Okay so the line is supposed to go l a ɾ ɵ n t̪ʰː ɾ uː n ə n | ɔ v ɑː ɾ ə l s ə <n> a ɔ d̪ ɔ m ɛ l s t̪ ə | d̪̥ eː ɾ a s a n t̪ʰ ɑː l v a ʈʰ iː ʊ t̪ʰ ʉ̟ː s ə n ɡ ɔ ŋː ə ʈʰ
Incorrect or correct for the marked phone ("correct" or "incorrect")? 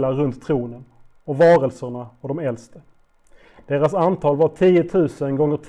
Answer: incorrect